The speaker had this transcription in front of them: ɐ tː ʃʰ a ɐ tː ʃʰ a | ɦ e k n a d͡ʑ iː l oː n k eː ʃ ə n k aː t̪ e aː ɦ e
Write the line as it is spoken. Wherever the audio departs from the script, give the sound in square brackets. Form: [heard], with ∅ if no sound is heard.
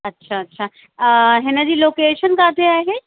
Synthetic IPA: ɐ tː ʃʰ a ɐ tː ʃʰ a | ɦ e [∅] n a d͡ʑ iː l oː [∅] k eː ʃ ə n k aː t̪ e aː ɦ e